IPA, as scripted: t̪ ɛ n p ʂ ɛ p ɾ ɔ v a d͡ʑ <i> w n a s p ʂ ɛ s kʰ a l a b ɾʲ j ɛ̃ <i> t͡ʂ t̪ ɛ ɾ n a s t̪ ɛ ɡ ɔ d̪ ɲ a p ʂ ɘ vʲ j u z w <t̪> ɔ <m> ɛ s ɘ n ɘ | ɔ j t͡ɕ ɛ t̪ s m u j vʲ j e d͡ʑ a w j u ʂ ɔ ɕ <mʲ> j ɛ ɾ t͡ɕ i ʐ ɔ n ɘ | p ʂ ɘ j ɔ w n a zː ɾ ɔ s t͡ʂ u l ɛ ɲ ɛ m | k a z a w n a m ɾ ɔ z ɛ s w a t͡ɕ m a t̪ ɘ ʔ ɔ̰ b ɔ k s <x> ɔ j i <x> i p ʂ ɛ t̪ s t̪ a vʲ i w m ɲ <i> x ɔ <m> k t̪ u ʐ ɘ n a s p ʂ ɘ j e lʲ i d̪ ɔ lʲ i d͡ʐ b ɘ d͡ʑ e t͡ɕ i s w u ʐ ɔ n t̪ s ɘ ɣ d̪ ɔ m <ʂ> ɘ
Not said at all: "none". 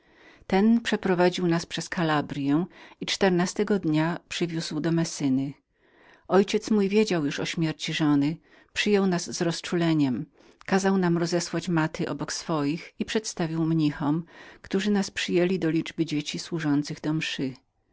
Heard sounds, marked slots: i, i, d̪, m, mʲ, f, x, i, m, ʂ

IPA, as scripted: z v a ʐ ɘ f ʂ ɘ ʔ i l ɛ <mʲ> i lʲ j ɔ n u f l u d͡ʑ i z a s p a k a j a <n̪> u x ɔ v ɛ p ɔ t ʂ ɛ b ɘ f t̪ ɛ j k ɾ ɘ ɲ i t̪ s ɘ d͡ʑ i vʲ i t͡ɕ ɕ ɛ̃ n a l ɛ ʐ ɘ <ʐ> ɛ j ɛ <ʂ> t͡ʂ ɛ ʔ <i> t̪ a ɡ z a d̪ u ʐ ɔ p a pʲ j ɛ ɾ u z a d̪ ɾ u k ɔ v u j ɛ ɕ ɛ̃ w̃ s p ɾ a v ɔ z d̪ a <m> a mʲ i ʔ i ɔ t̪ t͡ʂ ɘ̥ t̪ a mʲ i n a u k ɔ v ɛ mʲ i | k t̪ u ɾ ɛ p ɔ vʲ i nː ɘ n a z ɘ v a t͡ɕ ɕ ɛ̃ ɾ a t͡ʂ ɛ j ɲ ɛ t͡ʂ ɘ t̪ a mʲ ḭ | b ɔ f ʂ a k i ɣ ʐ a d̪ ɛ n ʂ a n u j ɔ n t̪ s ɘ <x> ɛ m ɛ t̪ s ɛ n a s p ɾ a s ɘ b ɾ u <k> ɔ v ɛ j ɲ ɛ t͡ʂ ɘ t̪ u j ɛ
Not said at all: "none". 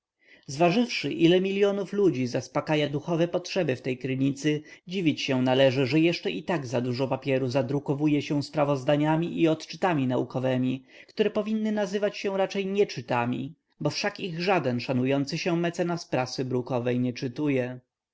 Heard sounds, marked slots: mʲ, d̪, ʐ, ʂ, i, ɲ, ɕ, k

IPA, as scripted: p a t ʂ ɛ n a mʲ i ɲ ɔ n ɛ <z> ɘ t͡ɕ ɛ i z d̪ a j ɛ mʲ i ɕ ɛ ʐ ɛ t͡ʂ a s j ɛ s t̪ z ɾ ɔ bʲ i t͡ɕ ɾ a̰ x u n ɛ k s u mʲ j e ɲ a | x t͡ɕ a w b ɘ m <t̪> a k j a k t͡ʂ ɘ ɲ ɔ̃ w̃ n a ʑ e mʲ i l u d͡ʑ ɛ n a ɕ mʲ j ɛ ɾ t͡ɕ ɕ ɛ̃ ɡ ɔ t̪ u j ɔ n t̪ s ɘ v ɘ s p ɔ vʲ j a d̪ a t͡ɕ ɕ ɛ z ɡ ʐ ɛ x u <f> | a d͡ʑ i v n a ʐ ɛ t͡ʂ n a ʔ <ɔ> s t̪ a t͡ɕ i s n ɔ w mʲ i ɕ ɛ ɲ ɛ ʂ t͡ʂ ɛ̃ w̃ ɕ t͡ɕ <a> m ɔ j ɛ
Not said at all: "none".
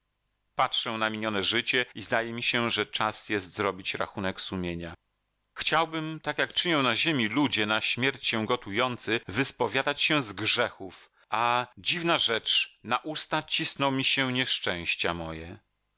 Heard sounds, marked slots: ʐ, t̪, f, u, a

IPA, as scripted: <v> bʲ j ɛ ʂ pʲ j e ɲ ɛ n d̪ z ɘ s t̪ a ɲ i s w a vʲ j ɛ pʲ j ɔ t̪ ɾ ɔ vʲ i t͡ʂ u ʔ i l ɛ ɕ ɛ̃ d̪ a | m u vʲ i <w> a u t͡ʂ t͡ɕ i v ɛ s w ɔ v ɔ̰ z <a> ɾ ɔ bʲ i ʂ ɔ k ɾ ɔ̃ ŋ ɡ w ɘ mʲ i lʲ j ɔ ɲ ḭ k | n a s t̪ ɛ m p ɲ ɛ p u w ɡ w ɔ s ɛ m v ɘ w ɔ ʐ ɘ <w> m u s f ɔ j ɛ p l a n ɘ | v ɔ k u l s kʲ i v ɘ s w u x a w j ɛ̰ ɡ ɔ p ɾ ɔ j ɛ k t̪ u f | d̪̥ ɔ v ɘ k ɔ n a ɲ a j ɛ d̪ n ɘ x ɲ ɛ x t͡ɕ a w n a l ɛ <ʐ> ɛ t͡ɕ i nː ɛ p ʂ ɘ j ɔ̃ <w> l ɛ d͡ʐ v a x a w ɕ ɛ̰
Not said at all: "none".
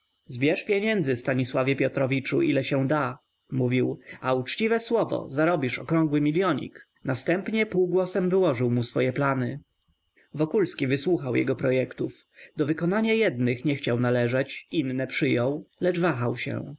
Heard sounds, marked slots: z, w, a, w, ʐ, w

